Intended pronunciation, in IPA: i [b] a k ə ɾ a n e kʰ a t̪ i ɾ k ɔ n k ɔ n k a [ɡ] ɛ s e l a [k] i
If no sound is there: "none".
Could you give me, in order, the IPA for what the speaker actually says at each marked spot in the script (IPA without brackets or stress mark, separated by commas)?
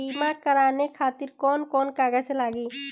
m, ɡ, ɡ